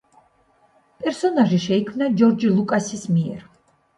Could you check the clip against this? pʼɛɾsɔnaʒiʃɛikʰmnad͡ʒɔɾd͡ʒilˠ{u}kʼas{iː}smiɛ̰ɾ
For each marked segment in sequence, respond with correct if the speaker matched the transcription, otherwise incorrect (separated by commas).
correct, incorrect